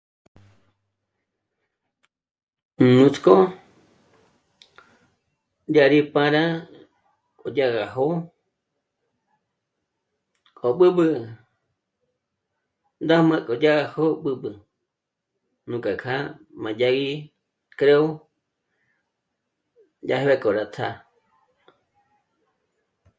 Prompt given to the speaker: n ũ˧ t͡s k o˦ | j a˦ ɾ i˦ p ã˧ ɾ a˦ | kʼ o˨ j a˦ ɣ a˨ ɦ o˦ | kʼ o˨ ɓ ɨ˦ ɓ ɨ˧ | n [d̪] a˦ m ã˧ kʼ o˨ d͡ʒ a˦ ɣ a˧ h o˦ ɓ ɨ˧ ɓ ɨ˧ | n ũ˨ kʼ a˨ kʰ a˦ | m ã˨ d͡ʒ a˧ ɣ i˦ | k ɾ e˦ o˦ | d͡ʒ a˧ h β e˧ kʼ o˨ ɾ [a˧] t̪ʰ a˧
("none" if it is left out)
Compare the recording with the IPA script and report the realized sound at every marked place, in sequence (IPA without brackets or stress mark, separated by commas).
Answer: d̪, a˧